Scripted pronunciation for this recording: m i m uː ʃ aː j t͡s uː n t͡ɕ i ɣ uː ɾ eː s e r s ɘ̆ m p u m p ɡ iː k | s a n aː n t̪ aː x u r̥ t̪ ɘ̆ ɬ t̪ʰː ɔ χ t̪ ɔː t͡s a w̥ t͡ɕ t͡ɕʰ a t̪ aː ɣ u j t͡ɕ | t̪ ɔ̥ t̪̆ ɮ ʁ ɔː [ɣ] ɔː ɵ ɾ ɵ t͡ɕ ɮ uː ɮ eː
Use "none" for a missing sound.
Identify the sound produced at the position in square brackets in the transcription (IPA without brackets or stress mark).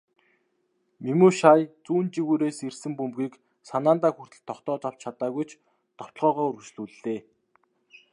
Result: ʁ